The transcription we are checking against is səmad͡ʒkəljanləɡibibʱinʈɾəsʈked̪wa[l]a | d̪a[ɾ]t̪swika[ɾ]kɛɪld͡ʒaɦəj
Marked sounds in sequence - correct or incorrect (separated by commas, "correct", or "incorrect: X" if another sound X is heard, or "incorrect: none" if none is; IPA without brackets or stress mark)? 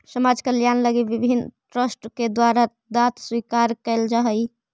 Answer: incorrect: ɾ, incorrect: none, correct